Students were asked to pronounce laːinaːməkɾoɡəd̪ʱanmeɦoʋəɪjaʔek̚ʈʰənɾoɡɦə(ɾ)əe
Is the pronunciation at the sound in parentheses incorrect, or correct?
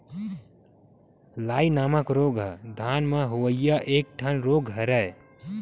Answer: correct